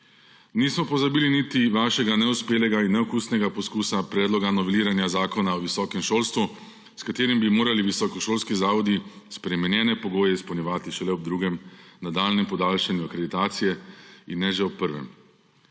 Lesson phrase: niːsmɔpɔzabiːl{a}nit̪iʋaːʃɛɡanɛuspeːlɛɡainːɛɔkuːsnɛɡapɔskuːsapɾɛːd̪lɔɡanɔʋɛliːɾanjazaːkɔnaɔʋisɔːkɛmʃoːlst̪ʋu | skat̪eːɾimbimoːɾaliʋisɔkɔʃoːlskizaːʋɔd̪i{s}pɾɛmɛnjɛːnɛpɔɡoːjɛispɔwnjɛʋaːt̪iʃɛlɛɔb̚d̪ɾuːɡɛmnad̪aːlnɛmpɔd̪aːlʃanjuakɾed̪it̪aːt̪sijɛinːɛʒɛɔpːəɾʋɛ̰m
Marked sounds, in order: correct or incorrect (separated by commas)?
incorrect, correct